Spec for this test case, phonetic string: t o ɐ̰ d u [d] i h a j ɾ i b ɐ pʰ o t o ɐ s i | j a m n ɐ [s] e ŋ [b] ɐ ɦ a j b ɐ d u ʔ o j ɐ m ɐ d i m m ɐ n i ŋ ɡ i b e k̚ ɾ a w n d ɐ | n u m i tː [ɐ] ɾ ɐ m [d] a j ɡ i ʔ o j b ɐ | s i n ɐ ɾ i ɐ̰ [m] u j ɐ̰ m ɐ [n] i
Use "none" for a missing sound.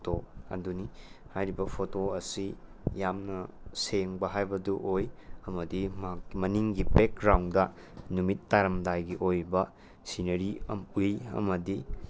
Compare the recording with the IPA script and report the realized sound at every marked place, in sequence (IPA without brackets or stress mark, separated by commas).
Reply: n, s, b, a, d, m, d